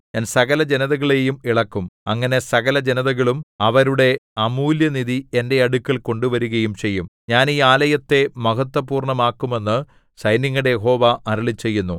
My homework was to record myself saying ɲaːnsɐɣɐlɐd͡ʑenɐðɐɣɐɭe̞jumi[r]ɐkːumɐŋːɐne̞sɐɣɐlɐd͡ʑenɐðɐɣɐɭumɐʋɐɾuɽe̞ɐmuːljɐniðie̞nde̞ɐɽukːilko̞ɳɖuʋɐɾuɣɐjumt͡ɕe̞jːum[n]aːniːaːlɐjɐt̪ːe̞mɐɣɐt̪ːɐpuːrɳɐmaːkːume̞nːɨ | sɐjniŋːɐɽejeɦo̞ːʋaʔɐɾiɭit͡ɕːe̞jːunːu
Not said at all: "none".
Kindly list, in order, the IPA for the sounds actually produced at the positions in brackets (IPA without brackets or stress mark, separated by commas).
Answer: ɭ, ɲ